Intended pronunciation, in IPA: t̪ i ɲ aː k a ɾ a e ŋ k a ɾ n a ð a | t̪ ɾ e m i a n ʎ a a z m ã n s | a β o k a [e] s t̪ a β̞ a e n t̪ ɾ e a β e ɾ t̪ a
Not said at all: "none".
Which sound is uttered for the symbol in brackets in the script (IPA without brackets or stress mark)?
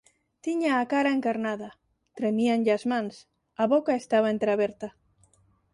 e